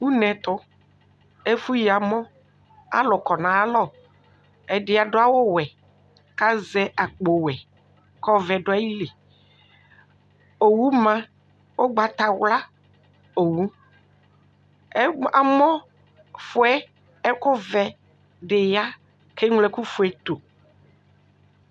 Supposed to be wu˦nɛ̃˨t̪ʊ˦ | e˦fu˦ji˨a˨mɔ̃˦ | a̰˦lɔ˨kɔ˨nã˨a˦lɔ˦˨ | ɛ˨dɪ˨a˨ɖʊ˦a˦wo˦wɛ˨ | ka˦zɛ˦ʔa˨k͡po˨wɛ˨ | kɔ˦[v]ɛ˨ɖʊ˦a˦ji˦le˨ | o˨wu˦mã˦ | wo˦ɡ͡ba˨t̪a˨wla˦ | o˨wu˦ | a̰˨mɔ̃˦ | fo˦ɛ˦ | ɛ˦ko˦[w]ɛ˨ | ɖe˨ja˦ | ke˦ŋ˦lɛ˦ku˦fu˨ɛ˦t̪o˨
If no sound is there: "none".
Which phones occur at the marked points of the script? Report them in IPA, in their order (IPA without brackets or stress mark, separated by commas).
v, v